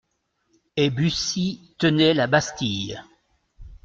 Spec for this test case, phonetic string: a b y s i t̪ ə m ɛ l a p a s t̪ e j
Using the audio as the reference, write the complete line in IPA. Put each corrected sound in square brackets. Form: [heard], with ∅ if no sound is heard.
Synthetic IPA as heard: [e] b y s i t̪ ə [n] ɛ l a [b] a s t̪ [i] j